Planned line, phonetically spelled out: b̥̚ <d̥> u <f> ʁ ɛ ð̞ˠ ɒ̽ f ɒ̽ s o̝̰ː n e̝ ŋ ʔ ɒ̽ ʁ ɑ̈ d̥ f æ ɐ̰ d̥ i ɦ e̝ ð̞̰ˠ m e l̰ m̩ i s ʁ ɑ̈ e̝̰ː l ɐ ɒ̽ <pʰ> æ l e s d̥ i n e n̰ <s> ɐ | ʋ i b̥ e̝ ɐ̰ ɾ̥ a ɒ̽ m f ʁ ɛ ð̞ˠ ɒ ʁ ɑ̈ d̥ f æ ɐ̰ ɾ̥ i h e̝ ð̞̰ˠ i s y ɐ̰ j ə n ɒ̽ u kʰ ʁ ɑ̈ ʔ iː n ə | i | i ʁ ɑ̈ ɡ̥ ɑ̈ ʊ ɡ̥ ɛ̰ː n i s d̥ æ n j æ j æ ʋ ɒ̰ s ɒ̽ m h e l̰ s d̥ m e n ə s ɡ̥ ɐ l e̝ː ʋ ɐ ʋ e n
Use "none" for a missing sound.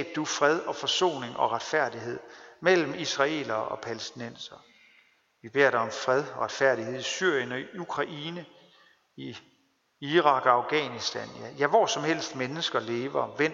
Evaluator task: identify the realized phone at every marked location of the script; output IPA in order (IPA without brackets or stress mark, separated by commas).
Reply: d̥, f, pʰ, s